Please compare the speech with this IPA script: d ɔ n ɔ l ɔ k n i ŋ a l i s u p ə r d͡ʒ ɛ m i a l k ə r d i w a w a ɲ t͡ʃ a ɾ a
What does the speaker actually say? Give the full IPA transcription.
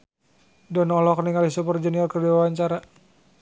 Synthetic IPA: d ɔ n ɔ l ɔ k n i ŋ a l i s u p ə r d͡ʒ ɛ n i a l k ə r d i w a w a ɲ t͡ʃ a ɾ a